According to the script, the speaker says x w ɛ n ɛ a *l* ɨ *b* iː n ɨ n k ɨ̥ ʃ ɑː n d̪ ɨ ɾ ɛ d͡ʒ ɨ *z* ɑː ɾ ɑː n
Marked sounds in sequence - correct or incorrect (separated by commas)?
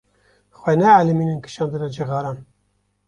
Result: correct, incorrect, incorrect